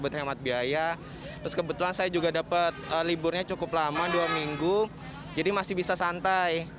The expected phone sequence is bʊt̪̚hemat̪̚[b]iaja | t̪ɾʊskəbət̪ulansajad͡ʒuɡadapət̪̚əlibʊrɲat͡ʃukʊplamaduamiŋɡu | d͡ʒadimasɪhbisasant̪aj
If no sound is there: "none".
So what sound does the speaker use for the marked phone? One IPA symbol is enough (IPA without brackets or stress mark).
b